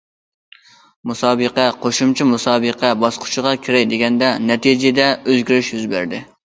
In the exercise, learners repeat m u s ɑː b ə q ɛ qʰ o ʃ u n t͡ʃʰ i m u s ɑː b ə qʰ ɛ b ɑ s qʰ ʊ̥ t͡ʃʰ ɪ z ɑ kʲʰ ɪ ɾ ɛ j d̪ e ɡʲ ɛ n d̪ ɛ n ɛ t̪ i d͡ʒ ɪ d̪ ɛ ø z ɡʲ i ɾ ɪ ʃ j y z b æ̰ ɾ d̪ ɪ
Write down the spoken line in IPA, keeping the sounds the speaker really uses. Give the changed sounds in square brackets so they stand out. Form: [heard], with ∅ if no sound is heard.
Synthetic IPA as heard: m u s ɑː b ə q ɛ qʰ o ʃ u [m] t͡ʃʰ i m u s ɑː b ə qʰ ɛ b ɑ s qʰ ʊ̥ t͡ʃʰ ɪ [ʁ] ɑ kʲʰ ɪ ɾ ɛ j d̪ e ɡʲ ɛ n d̪ ɛ n ɛ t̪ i d͡ʒ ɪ d̪ ɛ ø z ɡʲ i ɾ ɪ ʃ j y z b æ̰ ɾ d̪ ɪ